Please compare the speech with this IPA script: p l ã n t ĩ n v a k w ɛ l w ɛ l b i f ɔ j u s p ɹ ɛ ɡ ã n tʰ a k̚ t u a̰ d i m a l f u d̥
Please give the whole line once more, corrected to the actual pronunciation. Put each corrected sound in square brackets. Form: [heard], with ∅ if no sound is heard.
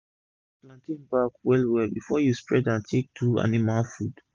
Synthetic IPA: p l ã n t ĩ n [b] a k w ɛ l w ɛ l b i f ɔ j u s p ɹ ɛ [d] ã n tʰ [e] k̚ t u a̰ [n] i m a l f u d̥